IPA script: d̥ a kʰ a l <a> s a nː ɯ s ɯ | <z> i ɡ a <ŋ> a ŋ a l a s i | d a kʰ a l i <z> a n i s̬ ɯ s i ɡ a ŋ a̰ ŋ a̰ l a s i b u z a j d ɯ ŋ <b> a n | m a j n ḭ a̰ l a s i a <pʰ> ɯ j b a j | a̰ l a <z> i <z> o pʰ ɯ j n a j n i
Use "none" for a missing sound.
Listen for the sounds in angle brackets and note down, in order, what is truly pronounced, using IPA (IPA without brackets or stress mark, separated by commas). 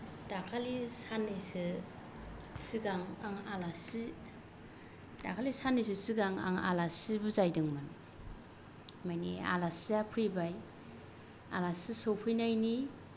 i, s, ŋ, s, m, pʰ, s, s